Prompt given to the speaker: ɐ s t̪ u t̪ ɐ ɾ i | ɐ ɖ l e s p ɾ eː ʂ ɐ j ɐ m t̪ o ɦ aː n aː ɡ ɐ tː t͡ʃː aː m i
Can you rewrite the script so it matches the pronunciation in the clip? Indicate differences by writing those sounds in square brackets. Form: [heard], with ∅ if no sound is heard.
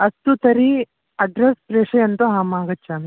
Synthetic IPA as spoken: ɐ s t̪ u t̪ ɐ ɾ i | ɐ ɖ [ɾ] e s p ɾ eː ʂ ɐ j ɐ [n] t̪ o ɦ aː [m] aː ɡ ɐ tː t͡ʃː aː m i